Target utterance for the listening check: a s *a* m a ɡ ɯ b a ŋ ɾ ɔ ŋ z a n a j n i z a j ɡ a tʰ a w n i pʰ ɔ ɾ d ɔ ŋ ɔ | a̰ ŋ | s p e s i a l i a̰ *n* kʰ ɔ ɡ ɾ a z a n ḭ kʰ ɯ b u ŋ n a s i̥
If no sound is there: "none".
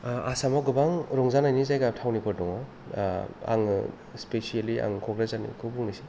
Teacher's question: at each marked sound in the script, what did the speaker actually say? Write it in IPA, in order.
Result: a, ŋ

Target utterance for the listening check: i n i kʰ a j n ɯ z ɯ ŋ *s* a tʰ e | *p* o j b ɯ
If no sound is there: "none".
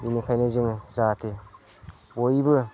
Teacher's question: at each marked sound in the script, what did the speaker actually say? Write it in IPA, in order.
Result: z, b

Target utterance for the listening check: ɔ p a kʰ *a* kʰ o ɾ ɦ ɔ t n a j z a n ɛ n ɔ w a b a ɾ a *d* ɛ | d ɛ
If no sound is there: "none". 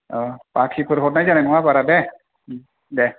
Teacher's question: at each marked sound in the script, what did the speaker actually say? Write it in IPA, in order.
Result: i, d

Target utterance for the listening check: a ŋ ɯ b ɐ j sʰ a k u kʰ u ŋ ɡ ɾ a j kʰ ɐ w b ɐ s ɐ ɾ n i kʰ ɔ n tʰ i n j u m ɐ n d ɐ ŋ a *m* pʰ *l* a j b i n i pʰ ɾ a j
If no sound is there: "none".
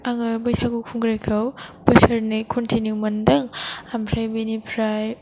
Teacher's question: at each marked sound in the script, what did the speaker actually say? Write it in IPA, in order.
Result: m, ɾ

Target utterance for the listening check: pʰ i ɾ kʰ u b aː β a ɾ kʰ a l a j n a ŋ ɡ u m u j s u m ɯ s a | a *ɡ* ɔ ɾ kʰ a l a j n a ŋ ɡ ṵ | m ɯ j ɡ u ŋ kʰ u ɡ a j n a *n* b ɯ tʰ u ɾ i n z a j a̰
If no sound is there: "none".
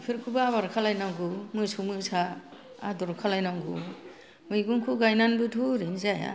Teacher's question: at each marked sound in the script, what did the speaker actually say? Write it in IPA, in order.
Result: d, n

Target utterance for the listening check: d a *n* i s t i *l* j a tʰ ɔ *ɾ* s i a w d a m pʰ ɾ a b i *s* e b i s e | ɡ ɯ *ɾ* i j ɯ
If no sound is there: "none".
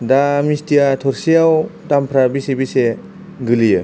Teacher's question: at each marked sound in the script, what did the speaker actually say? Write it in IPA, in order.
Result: m, none, ɾ, s, l

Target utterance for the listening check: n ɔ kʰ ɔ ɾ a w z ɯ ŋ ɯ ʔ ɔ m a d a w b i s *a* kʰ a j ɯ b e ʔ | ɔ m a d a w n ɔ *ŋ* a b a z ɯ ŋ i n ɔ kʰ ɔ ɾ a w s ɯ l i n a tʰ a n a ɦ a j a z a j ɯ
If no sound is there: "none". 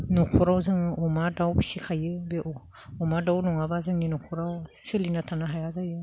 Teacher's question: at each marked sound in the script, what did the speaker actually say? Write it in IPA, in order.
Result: i, ŋ

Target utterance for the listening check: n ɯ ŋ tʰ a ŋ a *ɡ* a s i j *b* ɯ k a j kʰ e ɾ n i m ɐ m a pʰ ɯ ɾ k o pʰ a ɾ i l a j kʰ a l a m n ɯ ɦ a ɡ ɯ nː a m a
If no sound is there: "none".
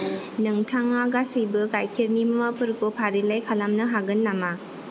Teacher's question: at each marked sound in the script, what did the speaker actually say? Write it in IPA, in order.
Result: ɡ, b

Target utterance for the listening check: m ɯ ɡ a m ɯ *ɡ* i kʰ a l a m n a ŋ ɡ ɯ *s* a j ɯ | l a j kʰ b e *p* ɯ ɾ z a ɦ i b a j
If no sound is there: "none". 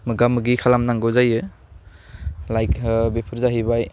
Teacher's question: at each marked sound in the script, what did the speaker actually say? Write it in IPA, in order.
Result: ɡ, z, pʰ

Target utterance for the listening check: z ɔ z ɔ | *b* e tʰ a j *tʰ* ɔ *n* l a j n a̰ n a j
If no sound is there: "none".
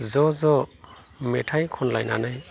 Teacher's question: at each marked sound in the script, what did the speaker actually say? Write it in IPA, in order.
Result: m, kʰ, n

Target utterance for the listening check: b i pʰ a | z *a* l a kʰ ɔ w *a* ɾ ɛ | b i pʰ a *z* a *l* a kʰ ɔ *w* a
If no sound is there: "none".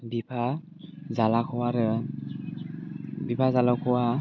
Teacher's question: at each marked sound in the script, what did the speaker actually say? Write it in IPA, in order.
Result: a, a, z, l, w

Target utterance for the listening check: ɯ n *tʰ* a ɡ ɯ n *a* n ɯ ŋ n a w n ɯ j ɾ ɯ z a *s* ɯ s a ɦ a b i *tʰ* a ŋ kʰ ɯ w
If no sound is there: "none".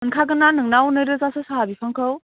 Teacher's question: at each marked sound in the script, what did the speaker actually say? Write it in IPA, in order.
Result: kʰ, a, s, pʰ

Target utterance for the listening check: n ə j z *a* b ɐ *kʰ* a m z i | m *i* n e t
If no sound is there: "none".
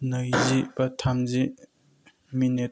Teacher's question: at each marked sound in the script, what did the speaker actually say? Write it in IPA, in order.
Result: i, tʰ, i

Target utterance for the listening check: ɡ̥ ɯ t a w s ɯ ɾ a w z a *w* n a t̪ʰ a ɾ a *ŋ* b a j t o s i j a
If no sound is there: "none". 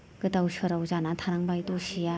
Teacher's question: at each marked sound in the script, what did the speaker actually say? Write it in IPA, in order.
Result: none, ŋ

